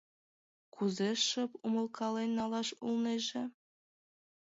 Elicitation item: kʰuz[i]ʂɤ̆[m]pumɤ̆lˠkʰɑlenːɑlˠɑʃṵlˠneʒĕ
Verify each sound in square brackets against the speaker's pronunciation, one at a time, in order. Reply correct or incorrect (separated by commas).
incorrect, incorrect